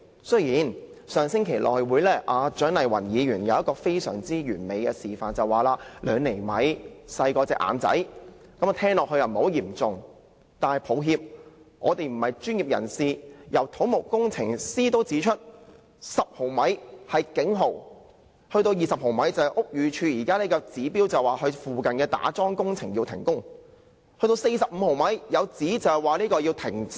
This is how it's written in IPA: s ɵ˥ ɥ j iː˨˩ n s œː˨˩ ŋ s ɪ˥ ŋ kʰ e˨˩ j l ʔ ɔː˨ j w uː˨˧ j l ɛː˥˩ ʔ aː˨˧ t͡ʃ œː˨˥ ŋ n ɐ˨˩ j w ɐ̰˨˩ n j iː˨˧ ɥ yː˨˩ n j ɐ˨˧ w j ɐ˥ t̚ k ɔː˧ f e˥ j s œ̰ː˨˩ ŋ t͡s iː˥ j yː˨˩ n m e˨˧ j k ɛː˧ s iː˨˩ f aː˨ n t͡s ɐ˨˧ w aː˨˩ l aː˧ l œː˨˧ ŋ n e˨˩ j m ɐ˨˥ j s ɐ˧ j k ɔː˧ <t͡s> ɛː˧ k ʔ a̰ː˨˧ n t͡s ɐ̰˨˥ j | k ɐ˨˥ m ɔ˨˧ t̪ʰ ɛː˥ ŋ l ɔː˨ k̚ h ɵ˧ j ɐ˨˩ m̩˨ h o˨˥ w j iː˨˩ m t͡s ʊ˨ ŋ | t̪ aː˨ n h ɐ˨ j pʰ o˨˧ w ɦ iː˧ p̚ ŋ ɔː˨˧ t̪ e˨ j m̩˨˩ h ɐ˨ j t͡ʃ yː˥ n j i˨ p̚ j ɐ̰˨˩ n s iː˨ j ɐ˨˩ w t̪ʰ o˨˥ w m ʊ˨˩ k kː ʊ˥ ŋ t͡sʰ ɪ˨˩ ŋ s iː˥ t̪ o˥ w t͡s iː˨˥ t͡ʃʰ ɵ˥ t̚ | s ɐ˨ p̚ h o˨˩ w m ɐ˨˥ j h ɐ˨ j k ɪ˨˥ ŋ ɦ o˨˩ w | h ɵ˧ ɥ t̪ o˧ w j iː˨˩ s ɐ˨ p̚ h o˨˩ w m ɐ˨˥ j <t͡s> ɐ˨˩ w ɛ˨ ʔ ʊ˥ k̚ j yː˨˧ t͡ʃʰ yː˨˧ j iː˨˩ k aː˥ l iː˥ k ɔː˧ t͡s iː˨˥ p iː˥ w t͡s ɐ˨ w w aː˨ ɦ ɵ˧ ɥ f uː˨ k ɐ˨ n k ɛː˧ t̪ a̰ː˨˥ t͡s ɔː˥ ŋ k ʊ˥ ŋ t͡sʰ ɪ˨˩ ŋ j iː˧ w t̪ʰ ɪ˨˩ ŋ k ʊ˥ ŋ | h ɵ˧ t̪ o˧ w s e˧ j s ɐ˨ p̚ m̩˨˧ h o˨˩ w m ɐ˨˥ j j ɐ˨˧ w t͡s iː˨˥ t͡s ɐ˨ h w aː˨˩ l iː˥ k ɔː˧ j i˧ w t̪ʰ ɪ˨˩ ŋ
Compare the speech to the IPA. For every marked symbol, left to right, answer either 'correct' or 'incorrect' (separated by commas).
correct, correct